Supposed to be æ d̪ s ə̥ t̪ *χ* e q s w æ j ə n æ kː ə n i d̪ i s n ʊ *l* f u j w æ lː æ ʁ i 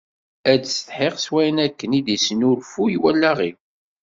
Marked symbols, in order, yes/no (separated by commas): no, no